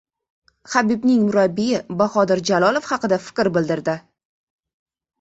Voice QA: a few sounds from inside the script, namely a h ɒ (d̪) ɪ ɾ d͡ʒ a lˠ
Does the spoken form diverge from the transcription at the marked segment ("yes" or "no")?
no